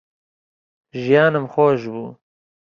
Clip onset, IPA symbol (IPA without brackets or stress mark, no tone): ʒ